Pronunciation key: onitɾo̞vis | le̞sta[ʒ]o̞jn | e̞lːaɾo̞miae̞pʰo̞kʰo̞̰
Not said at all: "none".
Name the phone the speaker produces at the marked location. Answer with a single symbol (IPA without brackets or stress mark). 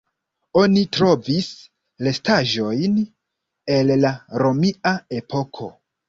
ʒ